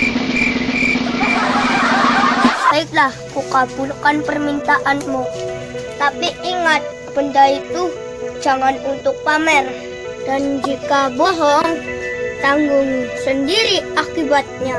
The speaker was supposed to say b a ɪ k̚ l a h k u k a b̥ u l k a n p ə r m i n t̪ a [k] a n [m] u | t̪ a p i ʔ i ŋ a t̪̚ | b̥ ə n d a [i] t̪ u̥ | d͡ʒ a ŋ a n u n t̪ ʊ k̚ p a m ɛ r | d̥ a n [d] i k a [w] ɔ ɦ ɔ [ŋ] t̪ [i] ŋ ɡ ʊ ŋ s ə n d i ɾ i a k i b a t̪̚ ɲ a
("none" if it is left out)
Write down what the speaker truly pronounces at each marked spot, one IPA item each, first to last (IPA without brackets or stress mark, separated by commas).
ʔ, m, i, d͡ʒ, b, ŋ, a